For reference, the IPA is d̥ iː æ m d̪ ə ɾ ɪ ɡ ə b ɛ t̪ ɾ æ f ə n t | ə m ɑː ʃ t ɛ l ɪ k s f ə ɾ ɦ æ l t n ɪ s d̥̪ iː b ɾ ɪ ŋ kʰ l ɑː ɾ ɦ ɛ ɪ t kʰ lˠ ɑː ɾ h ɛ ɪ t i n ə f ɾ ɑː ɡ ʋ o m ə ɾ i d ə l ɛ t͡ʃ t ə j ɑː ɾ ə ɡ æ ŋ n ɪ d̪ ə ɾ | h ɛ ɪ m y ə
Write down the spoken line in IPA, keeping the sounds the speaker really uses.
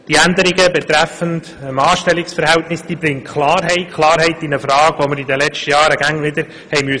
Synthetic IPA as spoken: d̥ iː æ n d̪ ə ɾ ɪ ɡ ə b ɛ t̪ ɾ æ f ə n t | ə m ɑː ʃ t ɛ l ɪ k s f ə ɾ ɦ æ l t n ɪ s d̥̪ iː b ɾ ɪ ŋ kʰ l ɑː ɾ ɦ ɛ ɪ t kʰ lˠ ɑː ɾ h ɛ ɪ t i n ə f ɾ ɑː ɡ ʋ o m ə ɾ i d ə l ɛ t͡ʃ t ə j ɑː ɾ ə ɡ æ ŋ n ɪ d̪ ə ɾ | h ɛ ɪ m y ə